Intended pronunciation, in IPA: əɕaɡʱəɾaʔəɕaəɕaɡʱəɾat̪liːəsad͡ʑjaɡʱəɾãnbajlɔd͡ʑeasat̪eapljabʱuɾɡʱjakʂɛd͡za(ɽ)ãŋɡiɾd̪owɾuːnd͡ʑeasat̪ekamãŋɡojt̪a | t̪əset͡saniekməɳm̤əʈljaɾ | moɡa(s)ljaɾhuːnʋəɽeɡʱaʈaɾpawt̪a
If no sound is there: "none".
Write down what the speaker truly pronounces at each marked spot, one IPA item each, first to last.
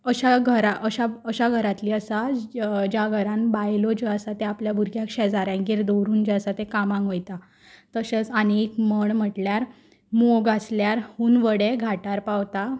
ɾ, s

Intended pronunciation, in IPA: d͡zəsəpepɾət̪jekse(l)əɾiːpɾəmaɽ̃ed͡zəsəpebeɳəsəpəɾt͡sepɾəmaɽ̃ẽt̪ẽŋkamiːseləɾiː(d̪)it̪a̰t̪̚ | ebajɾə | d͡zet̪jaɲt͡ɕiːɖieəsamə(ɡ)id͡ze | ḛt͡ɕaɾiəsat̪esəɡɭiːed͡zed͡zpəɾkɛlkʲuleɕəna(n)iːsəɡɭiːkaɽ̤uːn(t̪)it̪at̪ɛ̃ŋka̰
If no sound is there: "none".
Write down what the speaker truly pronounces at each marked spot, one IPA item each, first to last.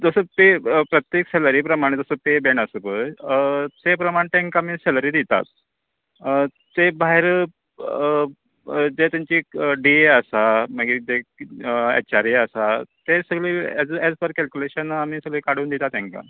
l, d̪, ɡ, m, d̪

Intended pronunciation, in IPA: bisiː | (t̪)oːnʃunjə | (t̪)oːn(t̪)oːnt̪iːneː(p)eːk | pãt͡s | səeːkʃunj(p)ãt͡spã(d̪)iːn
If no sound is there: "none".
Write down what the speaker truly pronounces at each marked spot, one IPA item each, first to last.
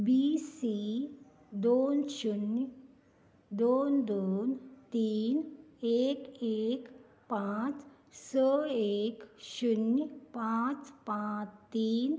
d̪, d̪, d̪, k, p, t̪

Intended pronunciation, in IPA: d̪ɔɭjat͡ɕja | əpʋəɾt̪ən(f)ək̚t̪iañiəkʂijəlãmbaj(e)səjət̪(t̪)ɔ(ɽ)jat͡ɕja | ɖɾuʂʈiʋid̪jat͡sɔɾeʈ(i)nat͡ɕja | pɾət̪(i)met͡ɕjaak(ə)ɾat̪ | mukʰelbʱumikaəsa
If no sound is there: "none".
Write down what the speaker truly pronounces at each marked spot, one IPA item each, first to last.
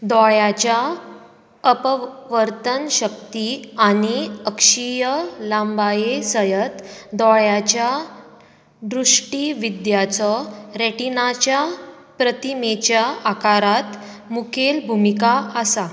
ɕ, e, d̪, ɭ, i, i, a

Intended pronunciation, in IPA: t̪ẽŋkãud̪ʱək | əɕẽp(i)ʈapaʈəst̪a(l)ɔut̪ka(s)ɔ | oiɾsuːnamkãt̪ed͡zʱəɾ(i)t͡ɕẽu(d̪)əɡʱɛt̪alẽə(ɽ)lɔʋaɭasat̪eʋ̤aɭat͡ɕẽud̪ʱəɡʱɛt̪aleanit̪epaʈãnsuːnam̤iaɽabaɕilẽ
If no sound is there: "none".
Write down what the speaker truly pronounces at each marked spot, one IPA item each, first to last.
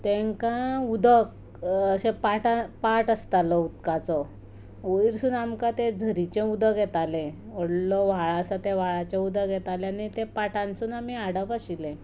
a, l, t͡s, i, d̪, ɽ

